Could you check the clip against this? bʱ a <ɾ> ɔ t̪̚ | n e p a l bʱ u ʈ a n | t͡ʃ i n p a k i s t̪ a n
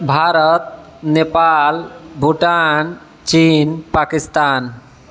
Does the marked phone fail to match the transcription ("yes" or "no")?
no